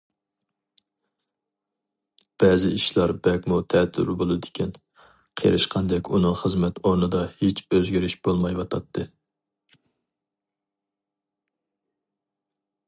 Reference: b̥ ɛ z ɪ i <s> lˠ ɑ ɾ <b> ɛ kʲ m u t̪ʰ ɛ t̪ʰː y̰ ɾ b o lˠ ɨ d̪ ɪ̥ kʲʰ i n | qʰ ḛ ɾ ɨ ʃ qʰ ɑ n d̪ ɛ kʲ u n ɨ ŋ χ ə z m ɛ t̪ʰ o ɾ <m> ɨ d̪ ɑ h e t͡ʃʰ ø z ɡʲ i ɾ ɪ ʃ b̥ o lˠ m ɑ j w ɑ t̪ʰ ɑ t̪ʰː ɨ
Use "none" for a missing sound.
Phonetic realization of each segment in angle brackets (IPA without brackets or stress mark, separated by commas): ʃ, b, n